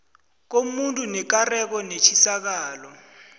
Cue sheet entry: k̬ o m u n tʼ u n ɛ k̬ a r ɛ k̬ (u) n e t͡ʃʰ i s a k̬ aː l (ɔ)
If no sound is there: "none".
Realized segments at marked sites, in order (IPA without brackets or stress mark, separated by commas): ɔ, ɔ